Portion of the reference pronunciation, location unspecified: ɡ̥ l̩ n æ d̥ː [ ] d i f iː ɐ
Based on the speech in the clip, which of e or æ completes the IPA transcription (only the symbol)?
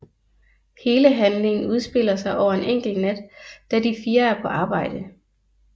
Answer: æ